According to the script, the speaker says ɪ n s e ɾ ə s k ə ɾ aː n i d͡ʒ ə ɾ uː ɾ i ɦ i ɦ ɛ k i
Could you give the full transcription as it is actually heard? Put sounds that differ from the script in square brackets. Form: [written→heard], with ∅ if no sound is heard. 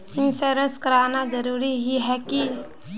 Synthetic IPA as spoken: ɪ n s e ɾ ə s k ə ɾ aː n [i→a] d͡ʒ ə ɾ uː ɾ i ɦ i ɦ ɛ k i